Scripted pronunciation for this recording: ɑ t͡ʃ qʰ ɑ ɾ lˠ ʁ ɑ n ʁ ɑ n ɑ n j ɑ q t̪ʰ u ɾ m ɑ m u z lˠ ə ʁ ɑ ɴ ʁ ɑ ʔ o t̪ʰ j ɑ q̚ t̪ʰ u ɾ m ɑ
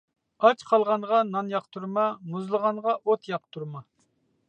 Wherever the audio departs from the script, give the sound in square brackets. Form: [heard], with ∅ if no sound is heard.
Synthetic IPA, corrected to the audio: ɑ t͡ʃ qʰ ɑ [∅] lˠ ʁ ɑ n ʁ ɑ n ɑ n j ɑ q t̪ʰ u ɾ m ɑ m u z lˠ ə ʁ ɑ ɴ ʁ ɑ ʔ o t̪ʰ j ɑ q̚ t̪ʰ u ɾ m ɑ